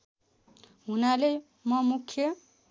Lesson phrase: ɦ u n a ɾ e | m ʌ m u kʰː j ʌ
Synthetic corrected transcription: ɦ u n a l e | m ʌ m u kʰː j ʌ